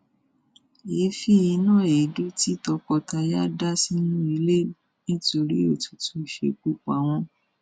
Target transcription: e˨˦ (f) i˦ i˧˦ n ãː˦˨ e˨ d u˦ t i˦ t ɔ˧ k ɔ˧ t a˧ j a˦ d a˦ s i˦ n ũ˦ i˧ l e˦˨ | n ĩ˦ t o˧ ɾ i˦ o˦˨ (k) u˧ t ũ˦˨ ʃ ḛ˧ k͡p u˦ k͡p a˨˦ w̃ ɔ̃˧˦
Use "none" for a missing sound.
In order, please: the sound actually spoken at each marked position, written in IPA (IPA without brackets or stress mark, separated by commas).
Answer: f, t